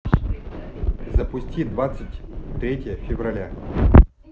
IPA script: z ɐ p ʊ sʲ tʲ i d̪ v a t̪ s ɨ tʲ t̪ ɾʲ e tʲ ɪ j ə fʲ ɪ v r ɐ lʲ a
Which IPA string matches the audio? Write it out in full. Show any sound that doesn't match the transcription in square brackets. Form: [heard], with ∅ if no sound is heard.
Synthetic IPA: z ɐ p ʊ sʲ tʲ i d̪ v a t̪ s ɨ tʲ t̪ ɾʲ e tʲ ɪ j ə fʲ ɪ v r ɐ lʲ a